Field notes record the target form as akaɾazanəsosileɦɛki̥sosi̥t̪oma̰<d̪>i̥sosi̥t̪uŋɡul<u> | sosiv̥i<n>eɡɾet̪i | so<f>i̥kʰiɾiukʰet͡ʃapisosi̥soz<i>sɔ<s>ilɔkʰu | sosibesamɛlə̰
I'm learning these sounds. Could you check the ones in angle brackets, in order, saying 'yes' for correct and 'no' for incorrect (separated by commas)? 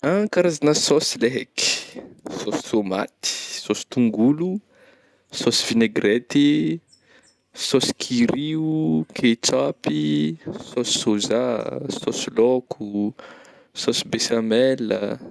no, yes, yes, no, no, yes